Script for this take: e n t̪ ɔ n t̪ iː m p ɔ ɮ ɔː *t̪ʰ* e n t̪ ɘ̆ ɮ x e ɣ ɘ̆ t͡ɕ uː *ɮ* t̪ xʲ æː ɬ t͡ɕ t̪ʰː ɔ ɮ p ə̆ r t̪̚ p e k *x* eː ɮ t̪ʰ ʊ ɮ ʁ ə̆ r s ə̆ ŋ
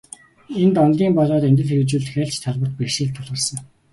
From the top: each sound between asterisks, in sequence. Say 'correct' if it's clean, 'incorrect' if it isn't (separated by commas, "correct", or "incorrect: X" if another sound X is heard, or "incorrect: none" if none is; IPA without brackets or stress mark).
incorrect: t̪, correct, incorrect: ʃ